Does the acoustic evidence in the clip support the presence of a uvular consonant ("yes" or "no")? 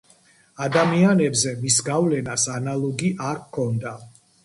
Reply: no